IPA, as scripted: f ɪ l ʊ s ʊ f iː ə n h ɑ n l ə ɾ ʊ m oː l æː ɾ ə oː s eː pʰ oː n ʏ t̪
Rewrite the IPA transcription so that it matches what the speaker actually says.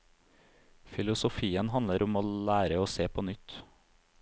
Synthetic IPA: f ɪ l ʊ s ʊ f iː ə n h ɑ n l ə ɾ ʊ m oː l æː ɾ ə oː s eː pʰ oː n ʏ t̪